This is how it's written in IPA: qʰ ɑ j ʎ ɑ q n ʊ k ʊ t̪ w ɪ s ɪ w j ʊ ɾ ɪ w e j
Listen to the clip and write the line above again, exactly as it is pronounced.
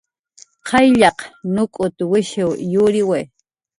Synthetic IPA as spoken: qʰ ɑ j ʎ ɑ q n ʊ kʼ ʊ t̪ w ɪ ʃ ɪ w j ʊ ɾ ɪ w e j